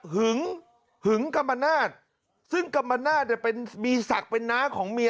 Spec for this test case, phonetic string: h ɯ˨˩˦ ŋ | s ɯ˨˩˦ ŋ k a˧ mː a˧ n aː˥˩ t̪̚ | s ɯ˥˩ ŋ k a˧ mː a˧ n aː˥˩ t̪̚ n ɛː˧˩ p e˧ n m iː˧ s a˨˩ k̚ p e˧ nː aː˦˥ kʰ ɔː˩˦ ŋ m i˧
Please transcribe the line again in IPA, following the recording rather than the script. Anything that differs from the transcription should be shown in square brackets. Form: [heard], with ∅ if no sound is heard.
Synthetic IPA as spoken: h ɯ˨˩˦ ŋ | [h] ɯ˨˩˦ ŋ k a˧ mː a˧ n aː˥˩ t̪̚ | s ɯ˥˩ ŋ k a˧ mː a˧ n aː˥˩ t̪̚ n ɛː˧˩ p e˧ n m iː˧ s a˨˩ k̚ p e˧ nː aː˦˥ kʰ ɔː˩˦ ŋ m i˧